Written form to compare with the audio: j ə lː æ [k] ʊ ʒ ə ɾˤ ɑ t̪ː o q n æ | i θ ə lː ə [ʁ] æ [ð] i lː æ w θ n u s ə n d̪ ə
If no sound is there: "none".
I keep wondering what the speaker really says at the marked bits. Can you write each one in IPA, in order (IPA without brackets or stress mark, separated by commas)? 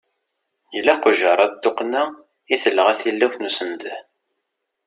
q, ʁ, θ